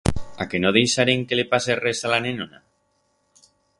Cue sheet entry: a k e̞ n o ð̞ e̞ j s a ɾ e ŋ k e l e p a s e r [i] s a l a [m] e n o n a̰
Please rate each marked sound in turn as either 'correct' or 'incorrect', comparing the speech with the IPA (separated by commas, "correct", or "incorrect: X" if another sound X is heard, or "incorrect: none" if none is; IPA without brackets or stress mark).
incorrect: e, incorrect: n